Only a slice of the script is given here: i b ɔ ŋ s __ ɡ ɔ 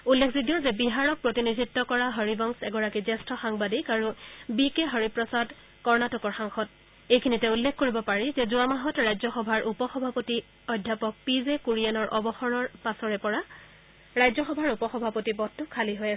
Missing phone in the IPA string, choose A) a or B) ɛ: B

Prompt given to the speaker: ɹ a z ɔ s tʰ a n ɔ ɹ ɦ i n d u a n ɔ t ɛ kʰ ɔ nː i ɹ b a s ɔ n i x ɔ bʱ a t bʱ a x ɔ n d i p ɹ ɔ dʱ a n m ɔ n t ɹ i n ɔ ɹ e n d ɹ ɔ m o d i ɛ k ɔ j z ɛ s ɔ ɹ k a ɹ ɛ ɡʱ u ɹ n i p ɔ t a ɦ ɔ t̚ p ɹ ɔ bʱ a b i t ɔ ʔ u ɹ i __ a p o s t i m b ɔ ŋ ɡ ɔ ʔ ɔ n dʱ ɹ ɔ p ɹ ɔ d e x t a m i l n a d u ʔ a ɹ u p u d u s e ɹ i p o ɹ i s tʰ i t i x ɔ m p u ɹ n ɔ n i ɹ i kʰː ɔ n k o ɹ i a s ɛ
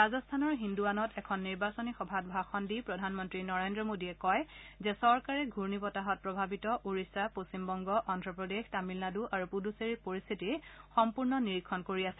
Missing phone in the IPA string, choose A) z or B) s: B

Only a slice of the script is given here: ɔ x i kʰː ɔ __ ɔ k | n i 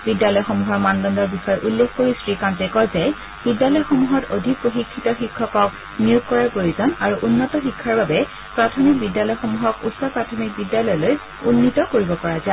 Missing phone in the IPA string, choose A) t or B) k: B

